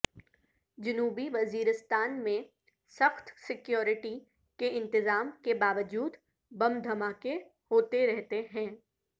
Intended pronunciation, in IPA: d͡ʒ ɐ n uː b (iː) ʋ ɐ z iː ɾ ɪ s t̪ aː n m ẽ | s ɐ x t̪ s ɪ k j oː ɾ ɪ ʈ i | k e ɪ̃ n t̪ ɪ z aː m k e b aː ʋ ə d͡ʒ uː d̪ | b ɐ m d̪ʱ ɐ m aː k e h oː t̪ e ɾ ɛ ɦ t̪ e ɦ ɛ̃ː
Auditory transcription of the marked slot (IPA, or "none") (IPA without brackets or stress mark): i